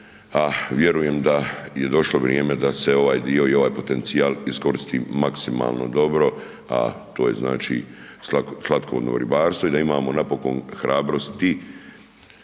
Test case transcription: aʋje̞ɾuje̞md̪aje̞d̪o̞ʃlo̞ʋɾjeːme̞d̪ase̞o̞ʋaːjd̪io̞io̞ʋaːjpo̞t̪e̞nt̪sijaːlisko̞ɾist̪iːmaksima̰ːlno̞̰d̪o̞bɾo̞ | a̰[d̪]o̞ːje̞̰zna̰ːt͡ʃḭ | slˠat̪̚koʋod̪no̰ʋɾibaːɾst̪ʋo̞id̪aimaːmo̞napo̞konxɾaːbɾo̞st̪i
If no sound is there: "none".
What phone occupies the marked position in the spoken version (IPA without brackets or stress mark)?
t̪